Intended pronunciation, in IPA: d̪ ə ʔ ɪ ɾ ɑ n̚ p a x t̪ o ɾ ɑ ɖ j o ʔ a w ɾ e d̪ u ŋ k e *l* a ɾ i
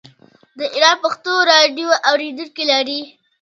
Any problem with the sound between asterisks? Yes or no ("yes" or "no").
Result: no